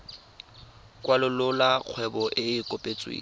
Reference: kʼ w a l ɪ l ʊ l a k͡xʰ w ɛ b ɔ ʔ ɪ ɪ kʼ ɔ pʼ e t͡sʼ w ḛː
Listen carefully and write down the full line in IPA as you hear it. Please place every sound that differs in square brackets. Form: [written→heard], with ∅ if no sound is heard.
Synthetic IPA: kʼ w a l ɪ l ʊ l a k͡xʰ w ɛ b ɔ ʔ ɪ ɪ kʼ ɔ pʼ e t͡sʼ w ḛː